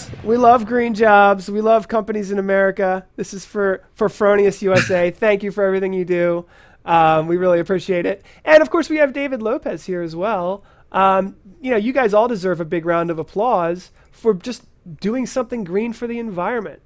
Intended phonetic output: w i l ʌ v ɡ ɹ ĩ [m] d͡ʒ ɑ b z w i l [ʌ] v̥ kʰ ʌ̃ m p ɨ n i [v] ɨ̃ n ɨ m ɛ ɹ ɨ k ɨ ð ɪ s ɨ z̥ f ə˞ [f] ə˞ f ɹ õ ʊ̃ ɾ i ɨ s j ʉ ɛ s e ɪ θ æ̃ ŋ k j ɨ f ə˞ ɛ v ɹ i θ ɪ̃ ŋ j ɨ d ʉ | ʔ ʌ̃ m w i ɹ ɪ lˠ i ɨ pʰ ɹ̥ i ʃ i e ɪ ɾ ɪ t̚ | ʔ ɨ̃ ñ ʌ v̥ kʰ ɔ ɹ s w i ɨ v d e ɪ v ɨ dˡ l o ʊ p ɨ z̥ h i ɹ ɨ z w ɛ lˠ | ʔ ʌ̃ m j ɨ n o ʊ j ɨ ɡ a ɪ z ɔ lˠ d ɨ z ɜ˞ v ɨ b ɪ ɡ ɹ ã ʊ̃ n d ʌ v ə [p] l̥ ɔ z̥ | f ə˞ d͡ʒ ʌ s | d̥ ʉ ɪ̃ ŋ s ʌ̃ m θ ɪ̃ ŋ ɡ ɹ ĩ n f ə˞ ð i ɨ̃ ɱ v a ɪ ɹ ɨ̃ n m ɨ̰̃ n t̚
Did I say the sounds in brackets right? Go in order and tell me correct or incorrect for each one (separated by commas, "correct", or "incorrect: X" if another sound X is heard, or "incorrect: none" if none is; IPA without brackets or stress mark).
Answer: incorrect: n, correct, incorrect: z, correct, incorrect: pʰ